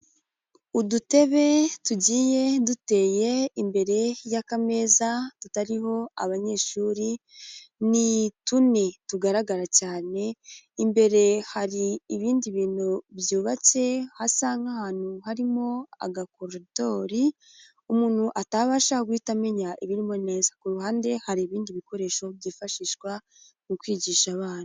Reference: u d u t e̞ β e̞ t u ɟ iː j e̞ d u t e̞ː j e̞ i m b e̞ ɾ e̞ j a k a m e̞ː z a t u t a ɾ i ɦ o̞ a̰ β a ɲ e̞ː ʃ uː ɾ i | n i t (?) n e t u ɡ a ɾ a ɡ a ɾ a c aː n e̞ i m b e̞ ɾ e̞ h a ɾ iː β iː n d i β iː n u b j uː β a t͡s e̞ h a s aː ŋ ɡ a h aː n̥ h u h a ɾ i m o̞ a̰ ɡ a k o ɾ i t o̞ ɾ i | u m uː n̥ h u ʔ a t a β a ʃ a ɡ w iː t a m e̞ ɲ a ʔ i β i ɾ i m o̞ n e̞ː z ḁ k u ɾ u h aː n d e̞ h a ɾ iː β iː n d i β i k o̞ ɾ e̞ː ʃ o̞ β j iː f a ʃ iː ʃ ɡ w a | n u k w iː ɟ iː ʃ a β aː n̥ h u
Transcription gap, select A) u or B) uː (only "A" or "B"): A